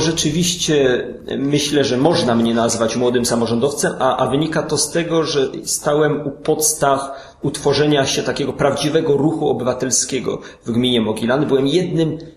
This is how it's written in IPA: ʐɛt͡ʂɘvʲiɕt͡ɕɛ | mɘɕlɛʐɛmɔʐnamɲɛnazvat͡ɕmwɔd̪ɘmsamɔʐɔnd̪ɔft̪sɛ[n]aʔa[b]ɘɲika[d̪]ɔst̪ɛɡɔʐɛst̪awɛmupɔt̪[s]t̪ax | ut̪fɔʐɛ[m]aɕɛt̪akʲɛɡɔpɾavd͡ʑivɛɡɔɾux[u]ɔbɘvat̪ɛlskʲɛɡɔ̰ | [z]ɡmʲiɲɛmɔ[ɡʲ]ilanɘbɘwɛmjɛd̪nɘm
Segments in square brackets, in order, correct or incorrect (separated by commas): incorrect, incorrect, incorrect, correct, incorrect, correct, incorrect, correct